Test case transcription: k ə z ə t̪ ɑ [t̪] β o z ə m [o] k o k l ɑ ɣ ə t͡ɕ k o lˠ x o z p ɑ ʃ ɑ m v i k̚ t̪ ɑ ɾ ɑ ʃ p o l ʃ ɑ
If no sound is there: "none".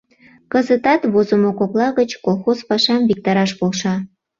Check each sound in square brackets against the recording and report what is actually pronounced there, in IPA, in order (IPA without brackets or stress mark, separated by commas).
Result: t̪, o